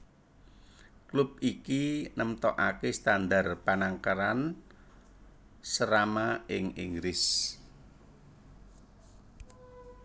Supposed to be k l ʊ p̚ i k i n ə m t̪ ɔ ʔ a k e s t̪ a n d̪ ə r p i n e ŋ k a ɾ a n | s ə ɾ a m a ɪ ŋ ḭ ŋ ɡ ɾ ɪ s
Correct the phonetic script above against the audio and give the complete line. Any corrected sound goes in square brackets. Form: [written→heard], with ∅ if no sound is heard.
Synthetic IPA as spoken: k l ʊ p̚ i k i n ə m t̪ ɔ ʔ a k e s t̪ a n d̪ [ə→a] r p [i→a] n [e→a] ŋ k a ɾ a n | s ə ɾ a m a ɪ ŋ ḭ ŋ ɡ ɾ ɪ s